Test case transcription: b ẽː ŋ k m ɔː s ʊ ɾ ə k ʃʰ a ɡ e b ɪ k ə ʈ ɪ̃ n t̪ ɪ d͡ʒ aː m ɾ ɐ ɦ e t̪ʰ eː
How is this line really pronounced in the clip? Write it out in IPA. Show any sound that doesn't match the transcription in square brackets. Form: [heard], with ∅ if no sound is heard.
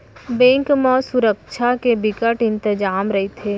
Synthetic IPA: b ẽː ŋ k m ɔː s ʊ ɾ ə k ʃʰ a [k] e b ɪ k ə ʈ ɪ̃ n t̪ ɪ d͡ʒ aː m ɾ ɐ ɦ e t̪ʰ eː